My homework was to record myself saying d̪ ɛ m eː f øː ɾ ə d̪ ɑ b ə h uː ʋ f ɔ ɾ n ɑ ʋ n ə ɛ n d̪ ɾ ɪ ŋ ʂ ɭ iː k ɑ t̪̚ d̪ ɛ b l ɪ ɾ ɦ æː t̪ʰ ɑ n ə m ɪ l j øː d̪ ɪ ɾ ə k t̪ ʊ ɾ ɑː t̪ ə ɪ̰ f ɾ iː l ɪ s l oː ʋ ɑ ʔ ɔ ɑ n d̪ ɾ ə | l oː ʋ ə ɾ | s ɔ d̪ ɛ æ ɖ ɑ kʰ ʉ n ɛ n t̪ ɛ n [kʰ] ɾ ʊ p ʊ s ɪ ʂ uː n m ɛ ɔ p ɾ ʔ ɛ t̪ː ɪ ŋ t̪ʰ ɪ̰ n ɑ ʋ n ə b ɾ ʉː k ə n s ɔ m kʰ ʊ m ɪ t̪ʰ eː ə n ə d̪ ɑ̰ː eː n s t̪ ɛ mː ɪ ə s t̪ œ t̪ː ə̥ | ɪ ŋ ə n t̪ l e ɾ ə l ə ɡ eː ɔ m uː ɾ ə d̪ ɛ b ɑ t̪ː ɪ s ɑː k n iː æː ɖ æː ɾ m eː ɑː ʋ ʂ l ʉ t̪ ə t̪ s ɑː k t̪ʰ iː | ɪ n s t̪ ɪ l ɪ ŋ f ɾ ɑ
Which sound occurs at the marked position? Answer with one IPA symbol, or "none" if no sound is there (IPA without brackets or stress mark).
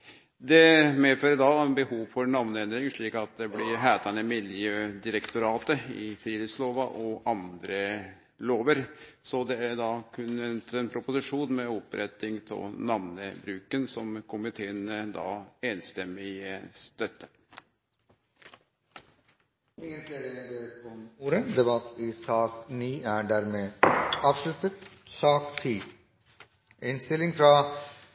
pʰ